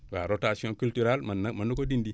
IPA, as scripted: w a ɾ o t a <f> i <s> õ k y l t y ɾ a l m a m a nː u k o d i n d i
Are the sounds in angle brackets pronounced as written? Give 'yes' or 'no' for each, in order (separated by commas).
no, no